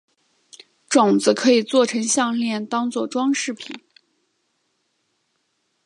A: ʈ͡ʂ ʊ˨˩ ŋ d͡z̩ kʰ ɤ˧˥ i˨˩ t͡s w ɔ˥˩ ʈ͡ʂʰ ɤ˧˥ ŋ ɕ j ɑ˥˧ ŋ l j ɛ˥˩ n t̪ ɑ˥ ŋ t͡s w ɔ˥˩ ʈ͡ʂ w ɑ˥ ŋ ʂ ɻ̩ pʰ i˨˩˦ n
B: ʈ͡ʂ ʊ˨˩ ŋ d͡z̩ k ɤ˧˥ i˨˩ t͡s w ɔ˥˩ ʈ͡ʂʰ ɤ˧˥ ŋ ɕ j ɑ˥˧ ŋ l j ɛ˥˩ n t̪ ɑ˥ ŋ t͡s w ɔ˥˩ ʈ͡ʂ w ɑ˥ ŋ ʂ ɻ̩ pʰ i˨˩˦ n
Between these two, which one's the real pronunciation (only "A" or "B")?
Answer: A